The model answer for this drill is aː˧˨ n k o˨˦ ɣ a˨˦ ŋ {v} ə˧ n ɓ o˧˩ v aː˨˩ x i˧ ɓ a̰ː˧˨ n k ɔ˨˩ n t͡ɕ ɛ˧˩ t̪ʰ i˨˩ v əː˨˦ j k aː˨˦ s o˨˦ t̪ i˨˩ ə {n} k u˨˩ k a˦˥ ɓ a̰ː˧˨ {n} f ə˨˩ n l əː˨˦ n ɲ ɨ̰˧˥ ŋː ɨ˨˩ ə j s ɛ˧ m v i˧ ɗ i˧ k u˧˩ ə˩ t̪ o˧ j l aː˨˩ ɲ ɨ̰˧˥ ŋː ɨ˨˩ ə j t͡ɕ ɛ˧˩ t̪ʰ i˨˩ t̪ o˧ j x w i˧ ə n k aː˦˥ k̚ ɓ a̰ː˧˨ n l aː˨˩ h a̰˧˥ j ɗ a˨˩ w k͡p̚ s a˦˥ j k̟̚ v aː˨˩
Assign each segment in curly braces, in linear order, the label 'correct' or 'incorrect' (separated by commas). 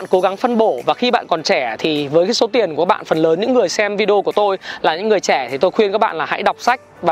incorrect, correct, correct